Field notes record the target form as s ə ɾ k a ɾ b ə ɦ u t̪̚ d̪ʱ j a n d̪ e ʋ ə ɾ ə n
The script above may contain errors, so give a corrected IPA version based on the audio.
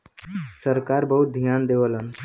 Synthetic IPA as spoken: s ə ɾ k a ɾ b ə ɦ u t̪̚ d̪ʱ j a n d̪ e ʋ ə l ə n